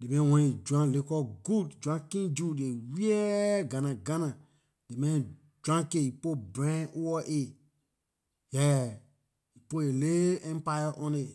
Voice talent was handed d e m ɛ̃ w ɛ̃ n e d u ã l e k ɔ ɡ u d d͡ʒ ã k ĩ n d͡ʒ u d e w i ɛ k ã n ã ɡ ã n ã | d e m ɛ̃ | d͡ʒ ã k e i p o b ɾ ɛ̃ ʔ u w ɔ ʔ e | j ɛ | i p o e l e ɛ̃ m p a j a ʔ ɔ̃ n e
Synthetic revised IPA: d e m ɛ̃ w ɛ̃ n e d͡ʒ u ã l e k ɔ ɡ u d d͡ʒ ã k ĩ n d͡ʒ u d e w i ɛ ɡ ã n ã ɡ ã n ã | d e m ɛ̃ | d͡ʒ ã k e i p o b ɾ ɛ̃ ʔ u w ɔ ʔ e | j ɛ | i p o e l e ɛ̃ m p a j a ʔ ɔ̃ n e